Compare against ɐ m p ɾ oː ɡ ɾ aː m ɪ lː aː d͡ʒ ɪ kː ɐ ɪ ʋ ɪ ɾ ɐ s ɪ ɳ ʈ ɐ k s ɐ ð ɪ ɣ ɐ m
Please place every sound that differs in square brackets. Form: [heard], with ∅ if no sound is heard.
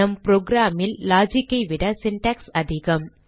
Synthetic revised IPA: ɐ m p ɾ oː ɡ ɾ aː m ɪ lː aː d͡ʒ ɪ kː ɐ ɪ ʋ ɪ [ɽ] ɐ s ɪ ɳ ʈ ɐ k s ɐ ð ɪ ɣ ɐ m